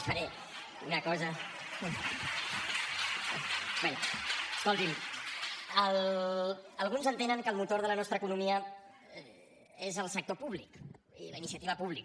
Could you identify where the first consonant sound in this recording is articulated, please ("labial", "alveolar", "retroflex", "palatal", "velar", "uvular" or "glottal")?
labial